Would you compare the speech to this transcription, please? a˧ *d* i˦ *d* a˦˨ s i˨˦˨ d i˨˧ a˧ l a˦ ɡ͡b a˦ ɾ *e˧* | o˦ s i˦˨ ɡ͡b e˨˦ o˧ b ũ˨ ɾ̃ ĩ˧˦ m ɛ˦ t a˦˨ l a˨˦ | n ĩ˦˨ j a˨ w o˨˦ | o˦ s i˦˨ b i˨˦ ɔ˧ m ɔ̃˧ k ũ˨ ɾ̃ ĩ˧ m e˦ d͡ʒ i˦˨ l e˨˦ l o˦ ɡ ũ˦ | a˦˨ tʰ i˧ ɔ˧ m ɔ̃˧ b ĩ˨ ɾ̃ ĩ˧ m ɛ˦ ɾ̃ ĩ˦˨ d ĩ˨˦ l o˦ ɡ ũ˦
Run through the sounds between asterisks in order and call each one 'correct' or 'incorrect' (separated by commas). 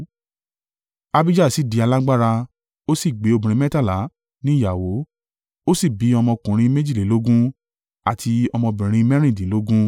incorrect, incorrect, incorrect